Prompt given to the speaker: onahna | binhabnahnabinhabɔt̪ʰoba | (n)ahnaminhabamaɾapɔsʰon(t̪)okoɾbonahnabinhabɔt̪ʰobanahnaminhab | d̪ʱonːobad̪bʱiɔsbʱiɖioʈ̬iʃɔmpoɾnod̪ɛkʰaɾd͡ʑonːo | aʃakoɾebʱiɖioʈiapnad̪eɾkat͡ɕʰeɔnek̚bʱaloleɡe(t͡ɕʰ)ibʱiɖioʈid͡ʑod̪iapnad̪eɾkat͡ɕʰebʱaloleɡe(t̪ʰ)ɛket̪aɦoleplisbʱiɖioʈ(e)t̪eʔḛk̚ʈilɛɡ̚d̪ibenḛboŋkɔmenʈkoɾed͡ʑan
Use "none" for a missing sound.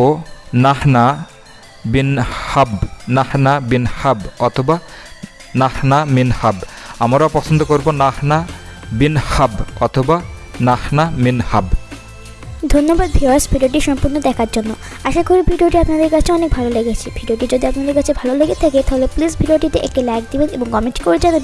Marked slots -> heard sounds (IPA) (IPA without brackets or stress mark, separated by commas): n, d̪, t͡ɕʰ, t̪ʰ, i